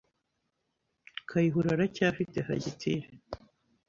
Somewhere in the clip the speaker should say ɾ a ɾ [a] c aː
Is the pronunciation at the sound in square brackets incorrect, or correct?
correct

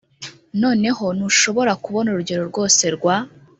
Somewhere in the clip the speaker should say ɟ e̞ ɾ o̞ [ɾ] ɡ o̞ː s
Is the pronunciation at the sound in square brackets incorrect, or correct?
correct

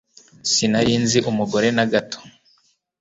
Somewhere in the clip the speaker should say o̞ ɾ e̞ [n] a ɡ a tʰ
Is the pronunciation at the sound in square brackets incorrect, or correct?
correct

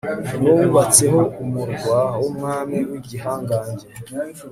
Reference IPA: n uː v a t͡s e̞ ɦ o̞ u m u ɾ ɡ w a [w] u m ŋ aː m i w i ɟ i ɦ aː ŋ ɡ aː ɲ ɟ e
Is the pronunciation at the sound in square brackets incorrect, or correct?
correct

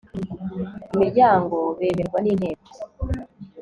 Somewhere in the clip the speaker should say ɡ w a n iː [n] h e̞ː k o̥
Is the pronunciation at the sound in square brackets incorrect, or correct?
correct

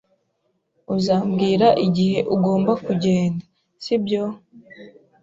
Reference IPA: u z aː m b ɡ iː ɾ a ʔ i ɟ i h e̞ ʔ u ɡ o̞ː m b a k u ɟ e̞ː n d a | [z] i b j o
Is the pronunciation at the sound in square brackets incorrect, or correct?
incorrect: s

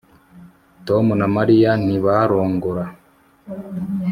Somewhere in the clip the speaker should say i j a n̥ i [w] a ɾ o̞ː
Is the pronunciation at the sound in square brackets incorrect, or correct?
incorrect: β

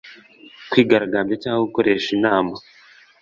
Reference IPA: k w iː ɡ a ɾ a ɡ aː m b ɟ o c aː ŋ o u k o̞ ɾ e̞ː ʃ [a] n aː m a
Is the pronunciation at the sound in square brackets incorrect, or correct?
incorrect: i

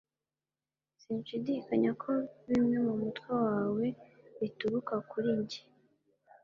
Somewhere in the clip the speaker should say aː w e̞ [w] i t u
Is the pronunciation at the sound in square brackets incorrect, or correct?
incorrect: β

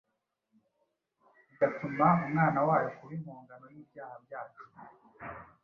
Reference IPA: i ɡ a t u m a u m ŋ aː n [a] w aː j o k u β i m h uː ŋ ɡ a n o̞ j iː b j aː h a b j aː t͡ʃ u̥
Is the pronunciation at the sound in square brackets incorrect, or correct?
correct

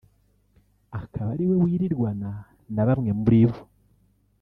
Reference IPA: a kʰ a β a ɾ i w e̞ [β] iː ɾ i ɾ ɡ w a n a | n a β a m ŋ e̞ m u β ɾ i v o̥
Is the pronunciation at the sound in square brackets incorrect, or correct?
incorrect: w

